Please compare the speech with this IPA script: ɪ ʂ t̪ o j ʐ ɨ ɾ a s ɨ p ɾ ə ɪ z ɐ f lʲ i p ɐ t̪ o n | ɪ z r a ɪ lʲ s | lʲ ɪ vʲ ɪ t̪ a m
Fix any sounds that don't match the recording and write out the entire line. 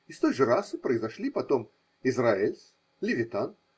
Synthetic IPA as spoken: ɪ s t̪ o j ʐ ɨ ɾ a s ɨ p ɾ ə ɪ z ɐ ʂ lʲ i p ɐ t̪ o m | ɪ z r a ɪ lʲ s | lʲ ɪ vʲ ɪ t̪ a n